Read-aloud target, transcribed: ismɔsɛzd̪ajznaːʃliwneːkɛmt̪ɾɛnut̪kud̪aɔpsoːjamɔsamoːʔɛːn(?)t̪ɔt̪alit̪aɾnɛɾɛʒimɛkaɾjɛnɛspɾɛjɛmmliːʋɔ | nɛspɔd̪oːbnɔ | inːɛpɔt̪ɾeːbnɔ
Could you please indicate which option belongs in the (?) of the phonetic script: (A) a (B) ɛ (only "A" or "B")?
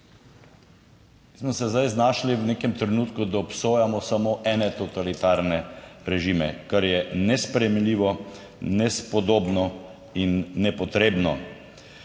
B